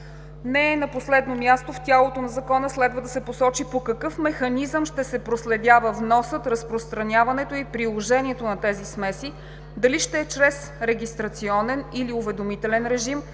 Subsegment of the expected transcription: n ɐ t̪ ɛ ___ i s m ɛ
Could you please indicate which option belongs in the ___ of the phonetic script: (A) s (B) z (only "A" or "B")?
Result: B